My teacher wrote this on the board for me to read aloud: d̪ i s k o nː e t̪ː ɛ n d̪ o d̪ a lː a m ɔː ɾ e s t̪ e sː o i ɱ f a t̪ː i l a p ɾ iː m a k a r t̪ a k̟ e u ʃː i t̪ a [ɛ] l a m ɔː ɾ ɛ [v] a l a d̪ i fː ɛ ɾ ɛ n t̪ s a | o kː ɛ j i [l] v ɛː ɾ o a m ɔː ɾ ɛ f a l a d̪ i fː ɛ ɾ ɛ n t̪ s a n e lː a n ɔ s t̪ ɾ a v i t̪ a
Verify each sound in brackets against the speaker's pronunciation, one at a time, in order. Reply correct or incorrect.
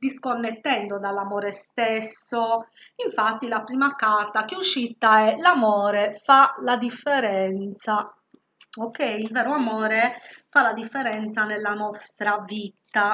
correct, incorrect: f, correct

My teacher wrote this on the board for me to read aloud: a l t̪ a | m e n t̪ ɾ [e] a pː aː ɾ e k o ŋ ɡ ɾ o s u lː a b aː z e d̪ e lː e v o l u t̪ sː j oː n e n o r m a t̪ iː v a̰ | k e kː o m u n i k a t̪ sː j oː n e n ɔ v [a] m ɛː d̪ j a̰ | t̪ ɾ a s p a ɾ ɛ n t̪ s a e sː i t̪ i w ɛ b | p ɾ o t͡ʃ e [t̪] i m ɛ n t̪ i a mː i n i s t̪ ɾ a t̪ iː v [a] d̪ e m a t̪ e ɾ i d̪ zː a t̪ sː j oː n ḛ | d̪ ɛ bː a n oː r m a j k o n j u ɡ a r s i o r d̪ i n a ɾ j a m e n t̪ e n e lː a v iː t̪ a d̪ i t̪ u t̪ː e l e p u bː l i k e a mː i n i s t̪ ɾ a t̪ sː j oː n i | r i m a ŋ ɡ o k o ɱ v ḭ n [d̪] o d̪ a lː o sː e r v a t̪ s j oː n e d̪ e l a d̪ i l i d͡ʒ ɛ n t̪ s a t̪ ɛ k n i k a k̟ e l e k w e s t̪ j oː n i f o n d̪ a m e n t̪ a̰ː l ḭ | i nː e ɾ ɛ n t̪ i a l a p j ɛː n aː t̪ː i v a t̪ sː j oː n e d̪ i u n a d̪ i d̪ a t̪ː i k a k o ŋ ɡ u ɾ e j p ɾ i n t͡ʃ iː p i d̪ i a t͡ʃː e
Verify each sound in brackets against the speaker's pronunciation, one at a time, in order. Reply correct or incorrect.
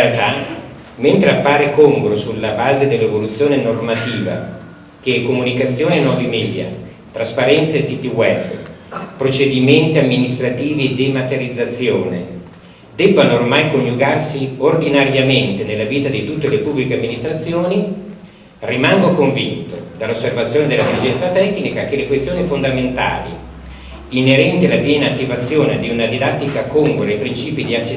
correct, incorrect: i, incorrect: d̪, incorrect: i, incorrect: t̪

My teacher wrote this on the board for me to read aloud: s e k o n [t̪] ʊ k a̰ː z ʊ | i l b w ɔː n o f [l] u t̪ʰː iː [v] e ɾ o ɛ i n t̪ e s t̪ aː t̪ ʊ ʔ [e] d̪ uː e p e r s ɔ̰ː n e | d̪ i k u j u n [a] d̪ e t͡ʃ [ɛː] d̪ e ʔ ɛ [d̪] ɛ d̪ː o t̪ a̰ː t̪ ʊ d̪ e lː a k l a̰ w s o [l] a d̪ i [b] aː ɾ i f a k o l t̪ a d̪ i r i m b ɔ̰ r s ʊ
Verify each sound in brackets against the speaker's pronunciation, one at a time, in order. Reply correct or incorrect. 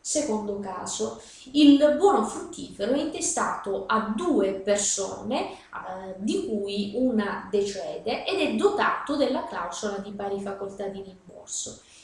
incorrect: d̪, incorrect: ɾ, incorrect: f, incorrect: a, correct, correct, correct, correct, incorrect: p

